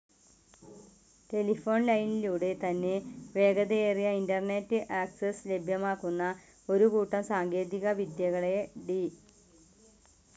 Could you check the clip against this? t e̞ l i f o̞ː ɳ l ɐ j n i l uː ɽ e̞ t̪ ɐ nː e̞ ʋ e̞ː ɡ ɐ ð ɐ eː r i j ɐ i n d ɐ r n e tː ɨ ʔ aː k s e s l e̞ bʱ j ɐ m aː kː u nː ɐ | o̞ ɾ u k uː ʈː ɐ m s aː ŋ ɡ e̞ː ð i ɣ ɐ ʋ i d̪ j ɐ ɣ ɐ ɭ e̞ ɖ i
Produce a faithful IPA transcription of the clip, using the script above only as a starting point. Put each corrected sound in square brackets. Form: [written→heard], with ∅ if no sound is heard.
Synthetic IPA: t e̞ l i f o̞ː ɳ l ɐ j n i l uː ɽ e̞ t̪ ɐ nː e̞ ʋ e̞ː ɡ ɐ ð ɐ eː r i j ɐ i n d ɐ r n e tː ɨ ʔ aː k s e s l e̞ bʱ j ɐ m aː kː u nː ɐ | o̞ ɾ u k uː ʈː ɐ m s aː ŋ ɡ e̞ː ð i ɣ ɐ ʋ i d̪ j ɐ ɣ ɐ ɭ e̞ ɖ i